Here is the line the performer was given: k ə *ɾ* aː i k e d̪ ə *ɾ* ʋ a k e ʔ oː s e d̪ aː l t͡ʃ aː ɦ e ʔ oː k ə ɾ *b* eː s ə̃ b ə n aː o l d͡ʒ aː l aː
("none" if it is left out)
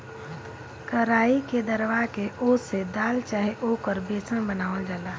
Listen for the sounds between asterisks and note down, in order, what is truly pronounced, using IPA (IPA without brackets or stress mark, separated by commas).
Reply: ɾ, ɾ, b